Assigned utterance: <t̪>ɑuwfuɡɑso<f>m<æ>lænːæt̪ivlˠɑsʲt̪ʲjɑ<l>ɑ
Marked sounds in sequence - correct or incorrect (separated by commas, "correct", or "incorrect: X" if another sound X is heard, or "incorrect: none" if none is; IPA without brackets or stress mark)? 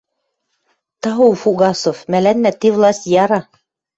correct, correct, correct, incorrect: ɾ